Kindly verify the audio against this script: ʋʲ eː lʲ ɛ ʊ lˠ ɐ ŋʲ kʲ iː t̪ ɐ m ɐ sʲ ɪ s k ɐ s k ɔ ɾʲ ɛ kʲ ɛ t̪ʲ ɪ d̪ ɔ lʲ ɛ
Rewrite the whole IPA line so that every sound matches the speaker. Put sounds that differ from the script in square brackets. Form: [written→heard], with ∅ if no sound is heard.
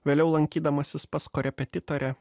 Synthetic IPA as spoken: ʋʲ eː lʲ ɛ ʊ lˠ ɐ ŋʲ kʲ iː [t̪→d̪] ɐ m ɐ sʲ ɪ s [k→p] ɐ s k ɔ ɾʲ ɛ [kʲ→pʲ] ɛ t̪ʲ ɪ [d̪→t̪] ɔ [lʲ→ɾʲ] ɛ